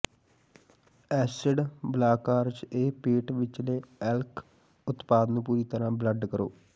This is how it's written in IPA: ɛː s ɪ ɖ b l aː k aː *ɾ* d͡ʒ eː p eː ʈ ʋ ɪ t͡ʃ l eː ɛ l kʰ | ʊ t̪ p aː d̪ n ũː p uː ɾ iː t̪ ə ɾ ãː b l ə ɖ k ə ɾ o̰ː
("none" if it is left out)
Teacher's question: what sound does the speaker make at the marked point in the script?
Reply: ɾ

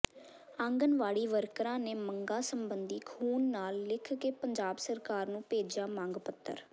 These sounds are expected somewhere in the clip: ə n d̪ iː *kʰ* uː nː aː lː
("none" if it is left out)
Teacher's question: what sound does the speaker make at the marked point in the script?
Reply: kʰ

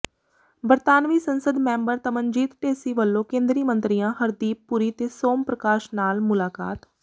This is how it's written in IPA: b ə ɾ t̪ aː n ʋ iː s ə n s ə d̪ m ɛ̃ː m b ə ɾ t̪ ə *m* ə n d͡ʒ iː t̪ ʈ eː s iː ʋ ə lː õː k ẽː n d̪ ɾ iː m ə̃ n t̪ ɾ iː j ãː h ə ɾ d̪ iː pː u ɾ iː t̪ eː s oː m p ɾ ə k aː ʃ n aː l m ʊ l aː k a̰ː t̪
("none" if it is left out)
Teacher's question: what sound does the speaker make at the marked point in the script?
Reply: m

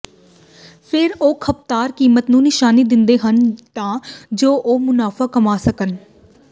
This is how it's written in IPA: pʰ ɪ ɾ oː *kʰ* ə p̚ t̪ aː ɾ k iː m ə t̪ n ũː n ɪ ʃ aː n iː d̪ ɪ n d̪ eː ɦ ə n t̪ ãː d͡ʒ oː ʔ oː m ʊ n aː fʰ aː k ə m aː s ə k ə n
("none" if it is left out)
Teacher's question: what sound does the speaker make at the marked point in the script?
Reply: kʰ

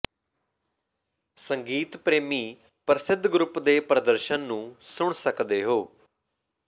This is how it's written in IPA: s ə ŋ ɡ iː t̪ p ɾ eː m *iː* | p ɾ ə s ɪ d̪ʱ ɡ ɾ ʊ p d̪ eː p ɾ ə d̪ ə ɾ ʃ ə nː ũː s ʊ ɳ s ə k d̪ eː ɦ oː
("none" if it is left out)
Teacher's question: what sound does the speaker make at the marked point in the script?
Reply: iː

